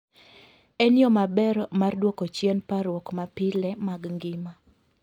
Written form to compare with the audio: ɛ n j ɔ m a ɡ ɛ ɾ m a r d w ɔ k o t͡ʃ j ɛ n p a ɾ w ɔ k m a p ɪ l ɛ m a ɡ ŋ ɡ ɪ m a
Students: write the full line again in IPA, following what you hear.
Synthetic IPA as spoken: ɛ n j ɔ m a b ɛ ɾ m a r d w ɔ k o t͡ʃ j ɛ n p a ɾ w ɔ k m a p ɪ l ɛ m a ɡ ŋ ɡ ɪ m a